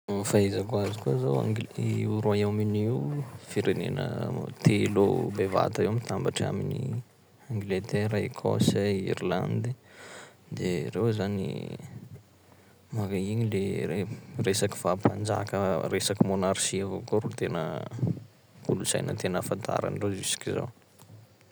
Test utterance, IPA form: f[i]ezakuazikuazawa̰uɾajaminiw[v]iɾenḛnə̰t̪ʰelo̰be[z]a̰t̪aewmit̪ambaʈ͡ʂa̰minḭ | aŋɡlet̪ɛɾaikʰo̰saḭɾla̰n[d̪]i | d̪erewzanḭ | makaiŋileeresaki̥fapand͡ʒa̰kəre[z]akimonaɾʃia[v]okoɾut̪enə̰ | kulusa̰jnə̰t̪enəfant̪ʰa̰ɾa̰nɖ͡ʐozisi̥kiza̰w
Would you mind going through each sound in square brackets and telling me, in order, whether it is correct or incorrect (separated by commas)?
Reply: incorrect, incorrect, incorrect, correct, incorrect, correct